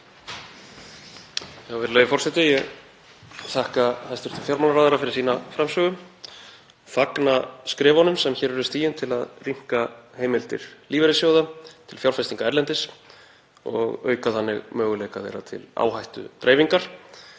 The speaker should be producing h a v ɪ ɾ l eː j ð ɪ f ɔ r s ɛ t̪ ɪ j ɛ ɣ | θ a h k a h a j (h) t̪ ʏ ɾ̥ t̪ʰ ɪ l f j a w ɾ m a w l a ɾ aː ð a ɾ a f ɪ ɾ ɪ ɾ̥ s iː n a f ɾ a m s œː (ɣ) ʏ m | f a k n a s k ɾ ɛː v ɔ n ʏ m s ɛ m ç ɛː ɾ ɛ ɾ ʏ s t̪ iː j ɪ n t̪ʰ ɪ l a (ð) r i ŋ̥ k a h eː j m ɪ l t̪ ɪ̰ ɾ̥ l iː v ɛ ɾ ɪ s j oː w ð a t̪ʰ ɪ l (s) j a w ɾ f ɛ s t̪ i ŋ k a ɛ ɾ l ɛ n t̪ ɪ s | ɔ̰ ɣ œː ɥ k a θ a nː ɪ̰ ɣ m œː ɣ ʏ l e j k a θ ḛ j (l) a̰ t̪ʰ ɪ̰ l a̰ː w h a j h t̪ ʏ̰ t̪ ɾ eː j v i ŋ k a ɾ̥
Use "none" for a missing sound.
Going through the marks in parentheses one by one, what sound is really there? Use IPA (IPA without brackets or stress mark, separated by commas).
s, ɣ, ð, f, ɾ